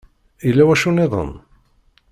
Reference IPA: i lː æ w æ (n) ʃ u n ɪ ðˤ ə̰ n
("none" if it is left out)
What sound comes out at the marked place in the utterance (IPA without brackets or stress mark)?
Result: none